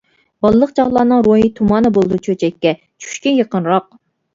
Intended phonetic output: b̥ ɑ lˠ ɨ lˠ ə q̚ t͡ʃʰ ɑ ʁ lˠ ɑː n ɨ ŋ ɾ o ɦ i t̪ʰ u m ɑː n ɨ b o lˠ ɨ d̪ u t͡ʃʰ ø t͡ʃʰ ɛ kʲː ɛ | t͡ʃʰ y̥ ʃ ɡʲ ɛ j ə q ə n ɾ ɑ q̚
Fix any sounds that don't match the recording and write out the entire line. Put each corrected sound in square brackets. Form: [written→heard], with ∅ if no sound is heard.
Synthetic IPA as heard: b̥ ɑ lˠ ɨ lˠ ə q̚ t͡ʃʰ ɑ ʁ lˠ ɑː n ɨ ŋ ɾ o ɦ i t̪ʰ u m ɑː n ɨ b o lˠ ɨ d̪ u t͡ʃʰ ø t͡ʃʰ ɛ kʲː ɛ | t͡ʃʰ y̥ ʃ [ɡʲ→kʲ] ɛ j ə q ə n ɾ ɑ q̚